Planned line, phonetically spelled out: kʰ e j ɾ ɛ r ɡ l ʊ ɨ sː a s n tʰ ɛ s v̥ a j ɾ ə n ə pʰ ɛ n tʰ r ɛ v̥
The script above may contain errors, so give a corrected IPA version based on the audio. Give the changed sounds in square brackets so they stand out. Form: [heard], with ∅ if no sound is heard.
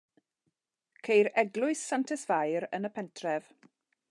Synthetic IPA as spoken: kʰ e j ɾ ɛ [∅] ɡ l ʊ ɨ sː a [∅] n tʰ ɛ s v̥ a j ɾ ə n ə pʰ ɛ n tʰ r ɛ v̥